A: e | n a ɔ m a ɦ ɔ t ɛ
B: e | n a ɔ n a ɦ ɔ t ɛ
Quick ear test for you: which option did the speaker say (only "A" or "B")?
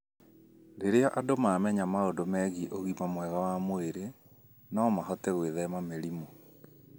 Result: A